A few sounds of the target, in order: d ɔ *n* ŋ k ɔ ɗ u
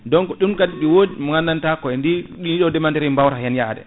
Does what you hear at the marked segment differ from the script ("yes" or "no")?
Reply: yes